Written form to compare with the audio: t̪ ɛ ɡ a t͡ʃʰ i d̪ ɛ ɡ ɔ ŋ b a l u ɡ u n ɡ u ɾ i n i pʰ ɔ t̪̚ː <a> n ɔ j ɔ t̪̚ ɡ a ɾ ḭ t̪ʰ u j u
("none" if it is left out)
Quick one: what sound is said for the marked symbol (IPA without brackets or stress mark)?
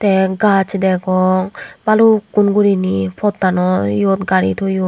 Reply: a